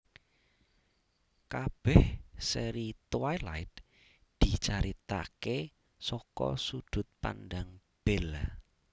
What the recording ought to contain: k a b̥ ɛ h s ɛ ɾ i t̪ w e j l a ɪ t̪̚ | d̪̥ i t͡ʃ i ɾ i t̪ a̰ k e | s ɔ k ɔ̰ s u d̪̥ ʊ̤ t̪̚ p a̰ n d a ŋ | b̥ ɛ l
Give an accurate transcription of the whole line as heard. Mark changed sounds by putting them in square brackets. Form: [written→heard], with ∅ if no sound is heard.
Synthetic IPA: k a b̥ ɛ h s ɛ ɾ i t̪ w [e→a] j l a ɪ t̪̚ | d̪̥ i t͡ʃ [i→a] ɾ i t̪ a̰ k e | s ɔ k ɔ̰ s u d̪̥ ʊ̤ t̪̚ p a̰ n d a ŋ | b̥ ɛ l